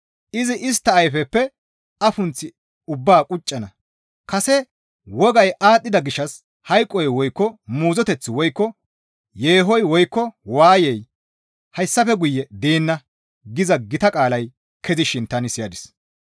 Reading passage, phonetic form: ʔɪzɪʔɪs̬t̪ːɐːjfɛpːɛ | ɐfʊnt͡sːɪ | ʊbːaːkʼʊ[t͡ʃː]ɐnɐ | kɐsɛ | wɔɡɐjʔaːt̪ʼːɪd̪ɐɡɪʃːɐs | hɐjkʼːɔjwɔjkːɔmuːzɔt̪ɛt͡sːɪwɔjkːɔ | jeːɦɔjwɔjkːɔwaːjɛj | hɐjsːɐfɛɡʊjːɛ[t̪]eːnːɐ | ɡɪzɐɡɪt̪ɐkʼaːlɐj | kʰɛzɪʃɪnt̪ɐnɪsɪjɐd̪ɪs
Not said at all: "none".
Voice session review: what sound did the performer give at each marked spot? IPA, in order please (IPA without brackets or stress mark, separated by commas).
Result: t͡ʃʼː, d̪